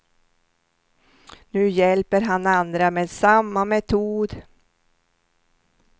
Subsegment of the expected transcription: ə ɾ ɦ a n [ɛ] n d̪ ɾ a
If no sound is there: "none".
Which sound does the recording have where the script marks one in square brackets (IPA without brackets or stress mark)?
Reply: a